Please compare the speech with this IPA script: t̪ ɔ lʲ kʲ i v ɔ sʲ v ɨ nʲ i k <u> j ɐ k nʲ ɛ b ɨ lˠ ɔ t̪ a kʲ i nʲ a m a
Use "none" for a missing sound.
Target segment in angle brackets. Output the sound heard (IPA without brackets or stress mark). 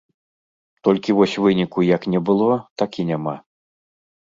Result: u